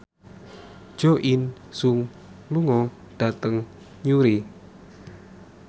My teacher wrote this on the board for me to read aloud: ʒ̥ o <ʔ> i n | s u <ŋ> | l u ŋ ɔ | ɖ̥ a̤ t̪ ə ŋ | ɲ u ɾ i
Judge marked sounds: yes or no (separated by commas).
yes, yes